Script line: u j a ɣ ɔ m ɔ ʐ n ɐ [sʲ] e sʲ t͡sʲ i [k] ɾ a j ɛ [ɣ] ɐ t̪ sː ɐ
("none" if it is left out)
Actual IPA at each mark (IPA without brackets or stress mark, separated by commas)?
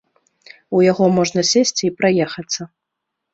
sʲ, p, x